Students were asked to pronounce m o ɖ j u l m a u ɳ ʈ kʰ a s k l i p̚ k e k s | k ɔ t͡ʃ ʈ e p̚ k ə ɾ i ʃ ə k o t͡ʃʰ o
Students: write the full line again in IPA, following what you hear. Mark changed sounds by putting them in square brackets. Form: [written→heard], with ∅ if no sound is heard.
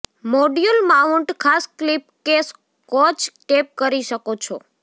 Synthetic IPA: m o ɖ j u l m a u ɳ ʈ kʰ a s k l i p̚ k e [k→∅] s | k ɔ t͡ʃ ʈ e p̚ k ə ɾ i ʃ ə k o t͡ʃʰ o